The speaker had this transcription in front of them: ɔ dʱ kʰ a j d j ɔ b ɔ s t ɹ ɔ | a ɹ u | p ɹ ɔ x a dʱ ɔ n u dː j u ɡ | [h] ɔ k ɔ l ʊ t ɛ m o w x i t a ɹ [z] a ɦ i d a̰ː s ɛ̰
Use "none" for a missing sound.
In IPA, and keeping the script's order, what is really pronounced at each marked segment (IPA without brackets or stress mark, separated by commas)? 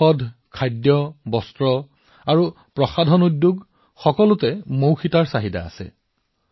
x, s